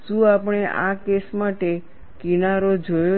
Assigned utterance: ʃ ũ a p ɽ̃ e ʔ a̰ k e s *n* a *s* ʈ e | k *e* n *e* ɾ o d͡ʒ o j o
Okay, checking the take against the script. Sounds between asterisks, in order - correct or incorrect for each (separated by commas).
incorrect, incorrect, incorrect, incorrect